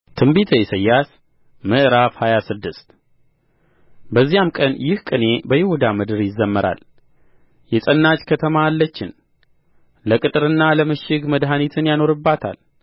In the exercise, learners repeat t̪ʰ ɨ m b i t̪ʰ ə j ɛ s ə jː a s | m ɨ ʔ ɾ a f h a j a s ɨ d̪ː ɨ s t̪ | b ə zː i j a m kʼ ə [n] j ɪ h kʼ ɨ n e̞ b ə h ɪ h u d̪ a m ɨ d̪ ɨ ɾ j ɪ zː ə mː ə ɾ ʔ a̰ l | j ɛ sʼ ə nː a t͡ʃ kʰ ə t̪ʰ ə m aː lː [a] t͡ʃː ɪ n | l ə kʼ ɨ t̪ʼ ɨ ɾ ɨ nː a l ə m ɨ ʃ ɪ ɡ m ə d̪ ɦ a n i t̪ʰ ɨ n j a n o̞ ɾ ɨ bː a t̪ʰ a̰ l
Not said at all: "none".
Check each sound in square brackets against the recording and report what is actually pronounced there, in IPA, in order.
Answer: n, ə

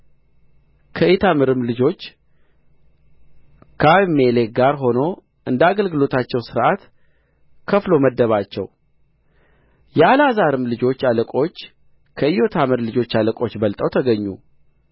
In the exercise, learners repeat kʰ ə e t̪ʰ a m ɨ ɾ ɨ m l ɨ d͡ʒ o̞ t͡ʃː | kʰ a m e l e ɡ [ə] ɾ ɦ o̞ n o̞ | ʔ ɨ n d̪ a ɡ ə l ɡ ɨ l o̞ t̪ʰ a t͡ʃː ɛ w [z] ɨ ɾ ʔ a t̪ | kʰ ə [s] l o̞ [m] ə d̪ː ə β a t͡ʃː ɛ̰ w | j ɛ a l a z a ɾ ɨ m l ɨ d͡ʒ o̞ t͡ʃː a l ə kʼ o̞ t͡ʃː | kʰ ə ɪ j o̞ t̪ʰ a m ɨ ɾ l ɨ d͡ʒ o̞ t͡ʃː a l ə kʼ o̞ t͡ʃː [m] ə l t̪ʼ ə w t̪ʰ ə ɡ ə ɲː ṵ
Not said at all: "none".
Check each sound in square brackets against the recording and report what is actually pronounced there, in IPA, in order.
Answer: a, s, f, m, b

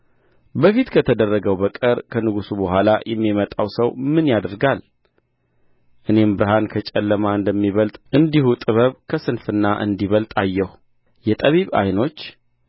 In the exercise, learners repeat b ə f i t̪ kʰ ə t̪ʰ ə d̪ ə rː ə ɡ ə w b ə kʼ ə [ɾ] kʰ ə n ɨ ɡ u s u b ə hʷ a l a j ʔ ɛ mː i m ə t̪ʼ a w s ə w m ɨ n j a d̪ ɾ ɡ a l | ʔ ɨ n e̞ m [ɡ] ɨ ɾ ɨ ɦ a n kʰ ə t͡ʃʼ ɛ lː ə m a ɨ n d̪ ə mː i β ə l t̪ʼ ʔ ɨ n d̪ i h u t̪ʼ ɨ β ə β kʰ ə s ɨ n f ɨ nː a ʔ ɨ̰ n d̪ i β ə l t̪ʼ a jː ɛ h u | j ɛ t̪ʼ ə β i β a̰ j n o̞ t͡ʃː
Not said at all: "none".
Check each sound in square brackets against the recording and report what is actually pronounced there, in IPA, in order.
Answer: ɾ, b

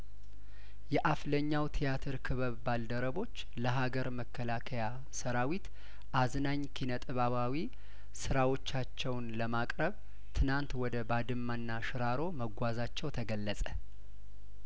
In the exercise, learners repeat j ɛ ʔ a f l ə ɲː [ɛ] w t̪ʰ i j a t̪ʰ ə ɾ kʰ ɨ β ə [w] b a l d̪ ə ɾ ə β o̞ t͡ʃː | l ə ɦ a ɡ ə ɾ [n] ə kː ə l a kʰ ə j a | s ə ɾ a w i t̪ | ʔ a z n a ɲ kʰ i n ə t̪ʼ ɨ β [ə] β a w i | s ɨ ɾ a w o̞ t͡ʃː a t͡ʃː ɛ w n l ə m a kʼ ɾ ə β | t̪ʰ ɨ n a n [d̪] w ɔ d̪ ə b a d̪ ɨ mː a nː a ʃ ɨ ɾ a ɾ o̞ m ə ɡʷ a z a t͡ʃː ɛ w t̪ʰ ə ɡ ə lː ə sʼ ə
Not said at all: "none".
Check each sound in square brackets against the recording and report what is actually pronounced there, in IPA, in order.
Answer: a, β, m, a, t̪

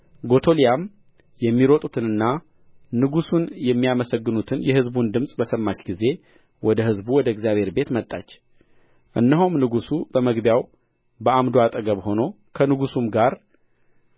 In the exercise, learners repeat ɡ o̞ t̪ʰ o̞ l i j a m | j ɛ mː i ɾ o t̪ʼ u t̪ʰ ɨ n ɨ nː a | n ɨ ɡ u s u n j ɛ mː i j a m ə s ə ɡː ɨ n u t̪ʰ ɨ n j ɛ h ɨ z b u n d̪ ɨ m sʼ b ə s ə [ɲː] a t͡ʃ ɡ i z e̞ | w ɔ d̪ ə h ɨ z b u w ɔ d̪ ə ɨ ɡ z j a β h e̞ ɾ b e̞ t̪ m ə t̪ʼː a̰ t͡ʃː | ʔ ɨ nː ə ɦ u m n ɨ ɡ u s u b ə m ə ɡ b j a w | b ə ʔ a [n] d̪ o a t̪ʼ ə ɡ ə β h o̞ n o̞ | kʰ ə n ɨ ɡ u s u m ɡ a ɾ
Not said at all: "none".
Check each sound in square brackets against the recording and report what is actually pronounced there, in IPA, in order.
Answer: mː, m

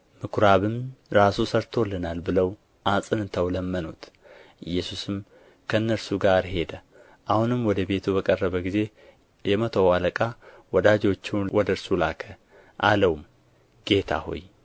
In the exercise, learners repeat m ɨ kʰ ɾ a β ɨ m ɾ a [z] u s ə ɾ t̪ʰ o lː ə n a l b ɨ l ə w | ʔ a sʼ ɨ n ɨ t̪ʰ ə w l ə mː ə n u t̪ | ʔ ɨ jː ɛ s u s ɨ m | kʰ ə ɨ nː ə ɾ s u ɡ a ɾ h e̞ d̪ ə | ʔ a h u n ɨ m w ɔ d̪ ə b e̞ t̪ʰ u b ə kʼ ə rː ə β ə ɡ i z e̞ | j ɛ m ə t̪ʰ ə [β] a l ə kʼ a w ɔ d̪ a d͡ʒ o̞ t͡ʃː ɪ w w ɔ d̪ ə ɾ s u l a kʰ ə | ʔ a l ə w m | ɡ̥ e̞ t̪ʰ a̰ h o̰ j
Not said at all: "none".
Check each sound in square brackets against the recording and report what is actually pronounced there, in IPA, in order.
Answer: s, w

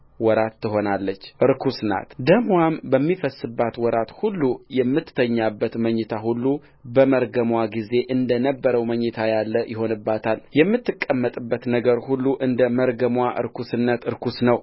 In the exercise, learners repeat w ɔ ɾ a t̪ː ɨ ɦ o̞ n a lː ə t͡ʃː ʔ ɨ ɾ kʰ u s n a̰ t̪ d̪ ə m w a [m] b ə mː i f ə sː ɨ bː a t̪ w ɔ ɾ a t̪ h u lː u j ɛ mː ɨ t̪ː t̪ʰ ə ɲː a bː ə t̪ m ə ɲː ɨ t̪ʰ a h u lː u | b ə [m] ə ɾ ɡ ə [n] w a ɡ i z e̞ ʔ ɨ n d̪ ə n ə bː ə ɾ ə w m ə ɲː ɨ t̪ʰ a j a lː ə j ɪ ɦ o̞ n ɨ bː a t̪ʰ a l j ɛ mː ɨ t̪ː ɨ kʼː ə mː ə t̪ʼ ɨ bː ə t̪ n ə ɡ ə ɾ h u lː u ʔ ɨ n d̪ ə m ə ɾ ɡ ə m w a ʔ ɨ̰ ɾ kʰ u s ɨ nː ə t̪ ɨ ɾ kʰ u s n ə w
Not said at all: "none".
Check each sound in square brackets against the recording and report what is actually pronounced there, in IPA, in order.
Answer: m, m, m

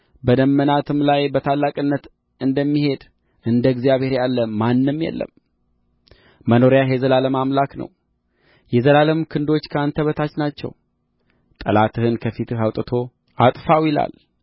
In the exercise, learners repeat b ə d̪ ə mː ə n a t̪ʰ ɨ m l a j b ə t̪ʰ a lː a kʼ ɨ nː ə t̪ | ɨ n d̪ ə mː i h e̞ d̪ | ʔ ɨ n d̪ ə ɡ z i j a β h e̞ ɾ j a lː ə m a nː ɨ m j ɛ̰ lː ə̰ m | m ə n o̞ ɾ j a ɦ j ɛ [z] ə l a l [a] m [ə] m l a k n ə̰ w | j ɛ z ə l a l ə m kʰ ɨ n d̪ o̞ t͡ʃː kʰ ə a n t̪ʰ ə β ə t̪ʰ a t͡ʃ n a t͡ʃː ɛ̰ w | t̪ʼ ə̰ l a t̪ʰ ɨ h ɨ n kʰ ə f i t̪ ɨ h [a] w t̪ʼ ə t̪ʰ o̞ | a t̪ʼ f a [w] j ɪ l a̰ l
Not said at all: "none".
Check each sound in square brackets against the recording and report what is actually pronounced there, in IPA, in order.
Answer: z, ə, a, a, w

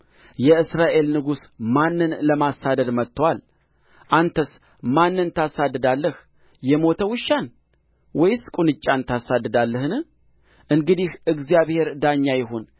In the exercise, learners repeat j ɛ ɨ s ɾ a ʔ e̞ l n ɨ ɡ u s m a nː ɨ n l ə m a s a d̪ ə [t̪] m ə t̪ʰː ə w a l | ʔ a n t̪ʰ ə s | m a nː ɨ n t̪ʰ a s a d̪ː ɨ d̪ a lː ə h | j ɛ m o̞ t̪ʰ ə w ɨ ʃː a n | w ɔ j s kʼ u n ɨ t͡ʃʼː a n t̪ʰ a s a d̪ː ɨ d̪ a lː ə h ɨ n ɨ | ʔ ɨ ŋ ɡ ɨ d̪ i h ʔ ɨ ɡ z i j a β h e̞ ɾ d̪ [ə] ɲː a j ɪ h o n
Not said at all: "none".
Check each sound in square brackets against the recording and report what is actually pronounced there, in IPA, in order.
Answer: d̪, a

